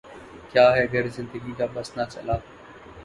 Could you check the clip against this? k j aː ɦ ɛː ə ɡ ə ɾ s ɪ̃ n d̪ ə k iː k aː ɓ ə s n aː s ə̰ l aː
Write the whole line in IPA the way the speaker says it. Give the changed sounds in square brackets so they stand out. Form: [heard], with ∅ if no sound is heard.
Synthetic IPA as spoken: k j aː ɦ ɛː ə ɡ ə ɾ [z] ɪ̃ n d̪ ə [ɡ] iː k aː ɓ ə s n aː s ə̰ l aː

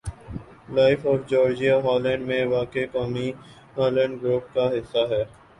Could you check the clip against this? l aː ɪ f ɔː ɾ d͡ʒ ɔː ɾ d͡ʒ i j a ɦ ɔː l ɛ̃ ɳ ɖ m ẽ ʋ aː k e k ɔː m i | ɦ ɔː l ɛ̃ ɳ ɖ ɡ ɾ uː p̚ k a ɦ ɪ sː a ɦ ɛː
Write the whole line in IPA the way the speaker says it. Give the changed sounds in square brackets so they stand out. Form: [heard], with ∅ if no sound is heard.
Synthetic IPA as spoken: l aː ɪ f ɔː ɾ d͡ʒ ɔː ɾ d͡ʒ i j a ɦ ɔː l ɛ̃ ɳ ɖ m ẽ ʋ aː k e k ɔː m i | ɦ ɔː l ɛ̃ ɳ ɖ ɡ ɾ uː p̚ k a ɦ ɪ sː a ɦ ɛː

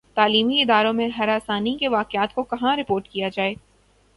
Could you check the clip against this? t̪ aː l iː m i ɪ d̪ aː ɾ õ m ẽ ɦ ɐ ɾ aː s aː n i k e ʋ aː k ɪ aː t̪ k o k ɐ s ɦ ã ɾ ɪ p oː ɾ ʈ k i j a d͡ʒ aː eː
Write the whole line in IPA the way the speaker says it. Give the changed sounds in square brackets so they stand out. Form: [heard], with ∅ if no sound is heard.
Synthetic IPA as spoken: t̪ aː l iː m i ɪ d̪ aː ɾ õ m ẽ ɦ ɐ ɾ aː s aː n i k e ʋ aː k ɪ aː t̪ k o k ɐ [∅] ɦ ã ɾ ɪ p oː ɾ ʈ k i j a d͡ʒ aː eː

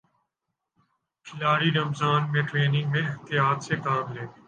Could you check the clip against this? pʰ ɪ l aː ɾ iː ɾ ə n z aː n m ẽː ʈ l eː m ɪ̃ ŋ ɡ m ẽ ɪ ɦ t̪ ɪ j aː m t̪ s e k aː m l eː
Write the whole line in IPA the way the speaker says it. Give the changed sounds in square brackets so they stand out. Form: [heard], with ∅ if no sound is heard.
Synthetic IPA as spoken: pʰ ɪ l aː ɾ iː ɾ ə [m] z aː n m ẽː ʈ [ɾ] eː [n] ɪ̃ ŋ ɡ m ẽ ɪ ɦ t̪ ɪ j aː [∅] t̪ s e k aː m l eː

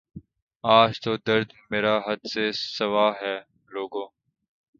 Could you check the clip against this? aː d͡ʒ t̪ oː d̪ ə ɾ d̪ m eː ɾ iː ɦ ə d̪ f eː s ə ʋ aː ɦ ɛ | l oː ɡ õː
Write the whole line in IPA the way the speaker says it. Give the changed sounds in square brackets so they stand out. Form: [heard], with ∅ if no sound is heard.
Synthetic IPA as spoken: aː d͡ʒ t̪ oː d̪ ə ɾ d̪ m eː ɾ [aː] ɦ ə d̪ [s] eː s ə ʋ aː ɦ [ɛː] | l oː ɡ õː

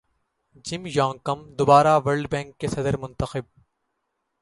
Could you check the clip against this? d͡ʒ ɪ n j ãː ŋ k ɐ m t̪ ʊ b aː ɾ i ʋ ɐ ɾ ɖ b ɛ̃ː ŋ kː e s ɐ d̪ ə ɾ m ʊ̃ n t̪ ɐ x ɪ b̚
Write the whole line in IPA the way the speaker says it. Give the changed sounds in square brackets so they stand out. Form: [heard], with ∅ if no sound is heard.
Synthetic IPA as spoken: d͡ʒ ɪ [m] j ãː ŋ k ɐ m [d̪] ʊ b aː ɾ [a] ʋ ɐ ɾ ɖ b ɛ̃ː ŋ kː e s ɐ d̪ ə ɾ m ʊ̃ n t̪ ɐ x ɪ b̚

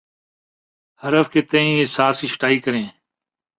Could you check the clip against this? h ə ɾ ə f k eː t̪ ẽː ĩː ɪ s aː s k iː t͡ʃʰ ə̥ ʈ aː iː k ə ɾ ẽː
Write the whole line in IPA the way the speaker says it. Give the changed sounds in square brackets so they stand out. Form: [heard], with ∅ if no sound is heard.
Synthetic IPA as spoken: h ə ɾ ə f k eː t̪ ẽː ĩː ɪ s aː s k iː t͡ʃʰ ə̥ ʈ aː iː k ə ɾ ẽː

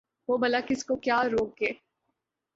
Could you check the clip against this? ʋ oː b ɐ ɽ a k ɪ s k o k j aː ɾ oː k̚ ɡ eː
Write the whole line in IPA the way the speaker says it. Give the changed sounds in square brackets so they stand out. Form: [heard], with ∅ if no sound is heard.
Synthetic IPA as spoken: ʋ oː b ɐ [l] a k ɪ s k o k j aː ɾ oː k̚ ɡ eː

